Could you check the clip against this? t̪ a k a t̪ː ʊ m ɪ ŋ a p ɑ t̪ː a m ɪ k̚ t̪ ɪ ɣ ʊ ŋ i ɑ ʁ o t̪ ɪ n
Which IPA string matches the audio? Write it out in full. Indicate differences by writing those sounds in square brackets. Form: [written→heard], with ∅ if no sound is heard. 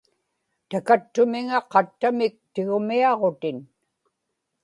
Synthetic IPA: t̪ a k a t̪ː ʊ m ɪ ŋ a [p→q] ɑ t̪ː a m ɪ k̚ t̪ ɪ ɣ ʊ [ŋ→m] i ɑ ʁ o t̪ ɪ n